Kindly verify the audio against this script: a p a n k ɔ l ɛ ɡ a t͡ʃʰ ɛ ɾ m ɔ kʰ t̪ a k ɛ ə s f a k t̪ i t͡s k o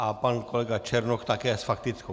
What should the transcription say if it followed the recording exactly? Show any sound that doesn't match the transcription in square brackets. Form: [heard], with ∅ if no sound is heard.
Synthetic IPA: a p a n k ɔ l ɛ ɡ a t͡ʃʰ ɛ ɾ [n] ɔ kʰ t̪ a k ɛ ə s f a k t̪ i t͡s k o

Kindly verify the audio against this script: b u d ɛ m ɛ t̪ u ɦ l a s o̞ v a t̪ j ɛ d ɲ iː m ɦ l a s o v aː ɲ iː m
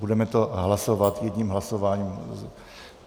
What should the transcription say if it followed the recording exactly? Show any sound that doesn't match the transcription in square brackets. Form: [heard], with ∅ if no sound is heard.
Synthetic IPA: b u d ɛ m ɛ t̪ [o] ɦ l a s o̞ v a t̪ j ɛ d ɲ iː m ɦ l a s o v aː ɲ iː m

